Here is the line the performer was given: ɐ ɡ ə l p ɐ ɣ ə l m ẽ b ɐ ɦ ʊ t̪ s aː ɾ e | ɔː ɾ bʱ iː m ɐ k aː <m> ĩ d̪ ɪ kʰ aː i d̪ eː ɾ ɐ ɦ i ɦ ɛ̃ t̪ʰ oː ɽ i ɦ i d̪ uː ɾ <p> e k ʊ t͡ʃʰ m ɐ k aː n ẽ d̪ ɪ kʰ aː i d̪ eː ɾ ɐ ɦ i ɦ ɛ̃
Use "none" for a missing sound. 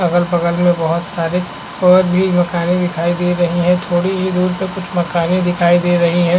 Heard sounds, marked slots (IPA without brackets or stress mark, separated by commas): n, p